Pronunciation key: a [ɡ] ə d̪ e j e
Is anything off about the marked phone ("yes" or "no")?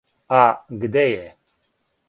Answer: no